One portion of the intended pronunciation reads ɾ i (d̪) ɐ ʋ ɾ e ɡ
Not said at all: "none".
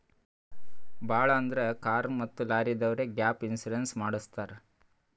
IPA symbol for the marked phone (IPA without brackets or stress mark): d̪